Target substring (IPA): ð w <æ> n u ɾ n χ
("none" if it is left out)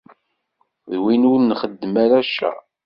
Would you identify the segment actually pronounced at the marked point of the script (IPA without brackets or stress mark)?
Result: i